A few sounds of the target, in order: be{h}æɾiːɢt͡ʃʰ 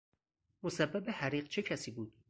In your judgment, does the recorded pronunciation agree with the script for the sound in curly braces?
yes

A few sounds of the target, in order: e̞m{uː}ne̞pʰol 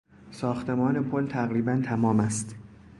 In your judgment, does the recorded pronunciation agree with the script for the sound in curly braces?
no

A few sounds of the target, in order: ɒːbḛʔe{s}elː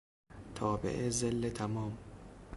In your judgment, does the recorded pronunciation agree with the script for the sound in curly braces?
no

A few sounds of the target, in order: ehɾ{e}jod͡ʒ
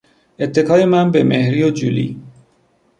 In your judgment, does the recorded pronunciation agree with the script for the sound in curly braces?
no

